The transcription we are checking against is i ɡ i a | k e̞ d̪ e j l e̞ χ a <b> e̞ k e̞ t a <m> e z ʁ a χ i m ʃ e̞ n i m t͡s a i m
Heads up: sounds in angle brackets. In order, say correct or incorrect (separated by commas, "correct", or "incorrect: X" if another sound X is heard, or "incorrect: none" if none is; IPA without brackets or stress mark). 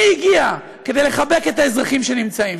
correct, incorrect: none